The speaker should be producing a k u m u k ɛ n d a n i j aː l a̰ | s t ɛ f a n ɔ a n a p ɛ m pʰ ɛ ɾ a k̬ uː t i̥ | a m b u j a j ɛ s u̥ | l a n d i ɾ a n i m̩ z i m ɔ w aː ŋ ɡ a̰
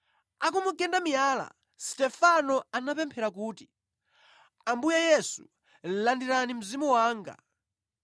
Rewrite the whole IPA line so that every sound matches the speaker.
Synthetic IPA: a k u m u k ɛ n d a m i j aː l a̰ | s t ɛ f a n ɔ a n a p ɛ m pʰ ɛ ɾ a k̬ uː t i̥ | a m b u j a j ɛ s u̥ | l a n d i ɾ a n i m̩ z i m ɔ w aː ŋ ɡ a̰